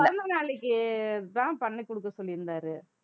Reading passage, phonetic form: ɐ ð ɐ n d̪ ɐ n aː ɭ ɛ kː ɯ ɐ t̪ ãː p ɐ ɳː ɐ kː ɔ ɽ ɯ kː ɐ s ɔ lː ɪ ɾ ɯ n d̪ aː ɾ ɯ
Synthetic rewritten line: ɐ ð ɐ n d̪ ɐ n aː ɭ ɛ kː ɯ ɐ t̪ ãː p ɐ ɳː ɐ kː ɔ ɽ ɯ kː ɐ s ɔ lː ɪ ɾ ɯ n d̪ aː ɾ ɯ